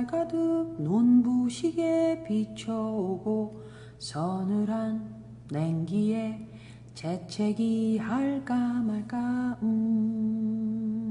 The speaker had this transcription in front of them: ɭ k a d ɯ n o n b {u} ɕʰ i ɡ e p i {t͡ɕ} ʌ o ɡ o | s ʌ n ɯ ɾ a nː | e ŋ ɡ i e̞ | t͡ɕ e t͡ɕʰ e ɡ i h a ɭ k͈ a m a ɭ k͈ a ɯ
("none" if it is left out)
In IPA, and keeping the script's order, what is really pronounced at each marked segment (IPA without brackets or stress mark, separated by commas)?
u, t͡ɕʰ